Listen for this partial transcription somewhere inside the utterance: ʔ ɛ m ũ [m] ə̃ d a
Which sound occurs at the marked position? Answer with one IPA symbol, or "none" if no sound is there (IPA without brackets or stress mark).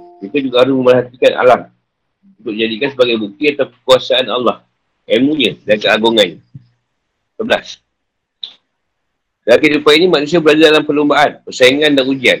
ɲ